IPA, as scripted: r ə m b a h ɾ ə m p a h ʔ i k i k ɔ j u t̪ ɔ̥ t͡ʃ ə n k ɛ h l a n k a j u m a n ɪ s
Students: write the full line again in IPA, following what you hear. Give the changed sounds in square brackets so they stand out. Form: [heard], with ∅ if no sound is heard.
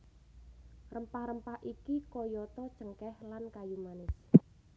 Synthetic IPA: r ə m [p] a h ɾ ə m p a h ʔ i k i k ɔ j [ɔ] t̪ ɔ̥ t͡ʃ ə [ŋ] k ɛ h l a n k a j u m a n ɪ s